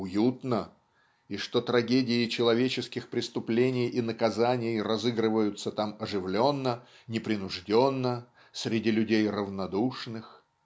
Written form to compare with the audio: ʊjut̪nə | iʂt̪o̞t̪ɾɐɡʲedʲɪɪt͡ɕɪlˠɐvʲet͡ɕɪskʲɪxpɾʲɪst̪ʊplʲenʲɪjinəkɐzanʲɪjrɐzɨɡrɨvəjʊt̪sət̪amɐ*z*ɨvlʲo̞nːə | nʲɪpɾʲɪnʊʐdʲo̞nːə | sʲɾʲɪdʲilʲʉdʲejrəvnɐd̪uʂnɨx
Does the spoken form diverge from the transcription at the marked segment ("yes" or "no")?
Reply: yes